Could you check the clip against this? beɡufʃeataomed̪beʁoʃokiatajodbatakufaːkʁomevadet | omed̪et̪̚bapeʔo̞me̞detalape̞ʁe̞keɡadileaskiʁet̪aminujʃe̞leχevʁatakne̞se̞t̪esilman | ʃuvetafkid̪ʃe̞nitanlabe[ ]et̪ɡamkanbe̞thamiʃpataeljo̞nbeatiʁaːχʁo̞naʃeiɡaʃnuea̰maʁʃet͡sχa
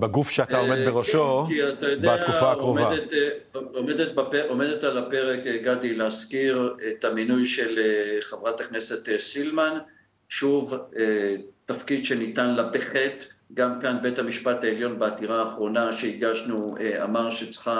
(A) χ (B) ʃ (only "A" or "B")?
A